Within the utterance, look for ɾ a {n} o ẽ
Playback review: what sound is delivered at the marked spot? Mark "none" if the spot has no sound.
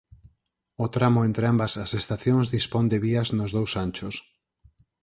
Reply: m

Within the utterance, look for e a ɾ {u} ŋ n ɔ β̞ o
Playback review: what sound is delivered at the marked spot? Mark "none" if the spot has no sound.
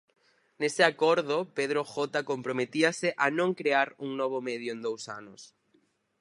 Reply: u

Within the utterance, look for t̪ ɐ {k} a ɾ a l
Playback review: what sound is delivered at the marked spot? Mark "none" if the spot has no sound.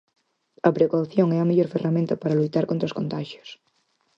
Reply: p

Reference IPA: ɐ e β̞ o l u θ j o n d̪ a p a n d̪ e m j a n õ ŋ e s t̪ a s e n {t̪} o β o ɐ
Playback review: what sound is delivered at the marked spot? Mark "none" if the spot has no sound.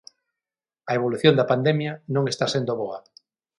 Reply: d̪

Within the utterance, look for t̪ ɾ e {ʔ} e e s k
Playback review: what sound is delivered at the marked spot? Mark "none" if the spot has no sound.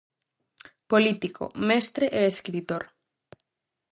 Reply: ʔ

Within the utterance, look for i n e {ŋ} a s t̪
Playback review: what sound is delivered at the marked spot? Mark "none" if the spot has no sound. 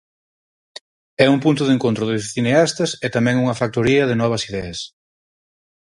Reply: none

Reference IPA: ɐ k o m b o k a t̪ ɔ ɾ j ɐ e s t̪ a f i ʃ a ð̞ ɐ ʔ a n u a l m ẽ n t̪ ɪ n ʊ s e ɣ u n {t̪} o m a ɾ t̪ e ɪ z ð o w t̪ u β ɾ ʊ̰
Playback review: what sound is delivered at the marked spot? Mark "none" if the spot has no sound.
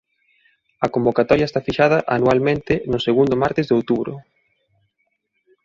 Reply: d̪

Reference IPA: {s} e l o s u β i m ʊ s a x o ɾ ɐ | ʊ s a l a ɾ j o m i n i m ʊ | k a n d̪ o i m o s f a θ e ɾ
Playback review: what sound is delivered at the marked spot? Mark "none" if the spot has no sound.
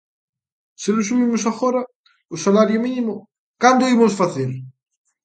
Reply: s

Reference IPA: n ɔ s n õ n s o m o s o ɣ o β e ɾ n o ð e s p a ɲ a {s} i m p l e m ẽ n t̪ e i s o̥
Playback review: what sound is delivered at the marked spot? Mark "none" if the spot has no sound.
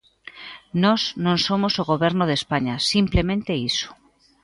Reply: s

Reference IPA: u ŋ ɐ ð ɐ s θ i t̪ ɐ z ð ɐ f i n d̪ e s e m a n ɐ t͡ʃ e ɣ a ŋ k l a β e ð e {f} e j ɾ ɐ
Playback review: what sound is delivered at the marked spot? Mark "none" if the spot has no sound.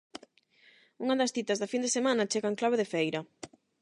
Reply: f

